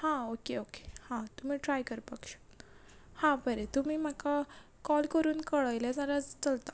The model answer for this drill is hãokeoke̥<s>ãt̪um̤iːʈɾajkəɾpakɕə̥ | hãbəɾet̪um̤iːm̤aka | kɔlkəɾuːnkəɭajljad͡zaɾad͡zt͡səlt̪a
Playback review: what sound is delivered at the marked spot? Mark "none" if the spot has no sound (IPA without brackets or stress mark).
h